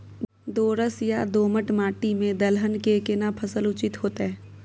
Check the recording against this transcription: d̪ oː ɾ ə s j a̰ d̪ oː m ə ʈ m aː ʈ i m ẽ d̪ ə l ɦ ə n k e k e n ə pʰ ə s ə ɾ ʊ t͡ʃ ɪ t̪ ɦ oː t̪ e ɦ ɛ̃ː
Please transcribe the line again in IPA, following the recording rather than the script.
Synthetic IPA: d̪ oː ɾ ə s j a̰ d̪ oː m ə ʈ m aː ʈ i m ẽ d̪ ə l ɦ ə n k e k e n a pʰ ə s ə l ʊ t͡ʃ ɪ t̪ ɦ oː t̪ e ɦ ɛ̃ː